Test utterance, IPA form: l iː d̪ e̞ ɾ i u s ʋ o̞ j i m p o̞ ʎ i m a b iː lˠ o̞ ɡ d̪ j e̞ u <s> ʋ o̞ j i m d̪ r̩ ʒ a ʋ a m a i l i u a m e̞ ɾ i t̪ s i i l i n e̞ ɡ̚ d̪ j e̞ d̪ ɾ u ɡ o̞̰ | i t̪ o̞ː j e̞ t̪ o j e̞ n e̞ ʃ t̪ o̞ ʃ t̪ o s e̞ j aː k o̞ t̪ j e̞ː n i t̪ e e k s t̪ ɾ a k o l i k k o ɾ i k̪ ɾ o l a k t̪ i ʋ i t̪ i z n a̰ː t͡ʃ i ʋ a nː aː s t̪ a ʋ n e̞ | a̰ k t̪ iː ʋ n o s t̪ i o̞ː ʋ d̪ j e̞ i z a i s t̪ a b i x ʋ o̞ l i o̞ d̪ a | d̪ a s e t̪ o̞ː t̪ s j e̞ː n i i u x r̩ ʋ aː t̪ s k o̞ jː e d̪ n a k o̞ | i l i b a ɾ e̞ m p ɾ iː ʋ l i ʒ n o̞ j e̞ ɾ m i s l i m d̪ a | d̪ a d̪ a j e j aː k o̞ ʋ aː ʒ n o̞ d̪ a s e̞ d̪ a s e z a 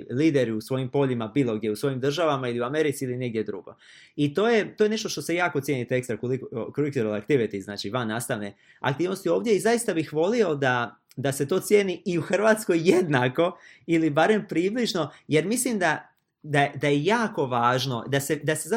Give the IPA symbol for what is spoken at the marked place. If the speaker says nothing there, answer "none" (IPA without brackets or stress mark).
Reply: s